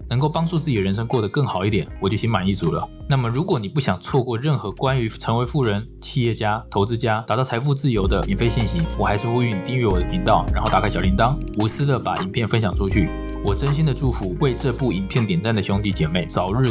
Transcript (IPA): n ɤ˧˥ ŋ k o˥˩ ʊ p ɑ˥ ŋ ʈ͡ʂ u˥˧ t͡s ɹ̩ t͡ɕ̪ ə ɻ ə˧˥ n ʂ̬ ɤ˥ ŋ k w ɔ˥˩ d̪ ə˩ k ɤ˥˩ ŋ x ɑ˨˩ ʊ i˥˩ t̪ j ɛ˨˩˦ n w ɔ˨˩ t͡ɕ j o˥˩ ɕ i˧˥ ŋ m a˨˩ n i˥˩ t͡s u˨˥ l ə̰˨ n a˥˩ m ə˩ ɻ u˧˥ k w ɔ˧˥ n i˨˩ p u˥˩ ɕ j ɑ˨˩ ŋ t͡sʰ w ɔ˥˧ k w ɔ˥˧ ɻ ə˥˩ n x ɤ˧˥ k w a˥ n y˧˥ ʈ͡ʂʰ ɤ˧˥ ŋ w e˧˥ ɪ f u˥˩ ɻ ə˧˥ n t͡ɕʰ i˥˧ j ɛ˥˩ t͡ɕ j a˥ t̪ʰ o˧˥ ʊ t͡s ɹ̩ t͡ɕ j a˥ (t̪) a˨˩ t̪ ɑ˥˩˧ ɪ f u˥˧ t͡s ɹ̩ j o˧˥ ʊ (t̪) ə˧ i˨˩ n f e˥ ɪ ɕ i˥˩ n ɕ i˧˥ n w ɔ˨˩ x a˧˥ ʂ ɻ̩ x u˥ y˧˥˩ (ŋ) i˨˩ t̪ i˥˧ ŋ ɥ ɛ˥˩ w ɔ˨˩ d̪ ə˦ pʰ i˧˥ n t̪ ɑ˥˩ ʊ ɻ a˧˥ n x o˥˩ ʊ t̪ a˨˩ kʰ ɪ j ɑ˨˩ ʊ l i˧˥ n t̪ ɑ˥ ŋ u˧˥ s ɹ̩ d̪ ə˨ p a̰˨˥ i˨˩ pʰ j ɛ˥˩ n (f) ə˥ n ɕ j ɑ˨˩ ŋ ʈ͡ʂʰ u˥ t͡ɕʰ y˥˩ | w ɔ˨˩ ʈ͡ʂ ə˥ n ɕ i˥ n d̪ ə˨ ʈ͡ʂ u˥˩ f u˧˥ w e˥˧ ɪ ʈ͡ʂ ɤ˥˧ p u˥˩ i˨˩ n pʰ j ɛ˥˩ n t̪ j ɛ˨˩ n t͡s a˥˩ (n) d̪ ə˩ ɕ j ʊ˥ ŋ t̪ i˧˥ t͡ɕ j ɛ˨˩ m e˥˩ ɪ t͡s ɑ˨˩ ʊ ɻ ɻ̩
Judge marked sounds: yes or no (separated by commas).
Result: yes, no, no, yes, yes